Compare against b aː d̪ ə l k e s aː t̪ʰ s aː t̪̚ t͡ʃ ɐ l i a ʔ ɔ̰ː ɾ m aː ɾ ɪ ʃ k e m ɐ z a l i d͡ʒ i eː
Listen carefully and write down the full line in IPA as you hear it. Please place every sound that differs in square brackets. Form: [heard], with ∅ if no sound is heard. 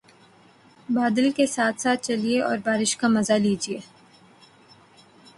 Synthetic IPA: b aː d̪ ə l k e s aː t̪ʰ s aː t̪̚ t͡ʃ ɐ l i [e] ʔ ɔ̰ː ɾ [b] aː ɾ ɪ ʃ k [a] m ɐ z a l [iː] d͡ʒ i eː